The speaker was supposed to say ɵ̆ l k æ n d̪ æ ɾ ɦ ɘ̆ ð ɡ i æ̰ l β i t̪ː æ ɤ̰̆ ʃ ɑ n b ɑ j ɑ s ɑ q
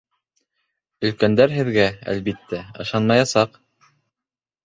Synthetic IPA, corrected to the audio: ɵ̆ l k æ n d̪ æ ɾ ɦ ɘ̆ ð ɡ æ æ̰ l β i t̪ː æ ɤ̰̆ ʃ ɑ n m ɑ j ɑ s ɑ q